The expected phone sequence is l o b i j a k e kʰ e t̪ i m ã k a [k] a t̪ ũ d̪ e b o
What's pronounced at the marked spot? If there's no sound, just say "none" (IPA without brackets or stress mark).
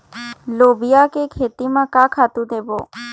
kʰ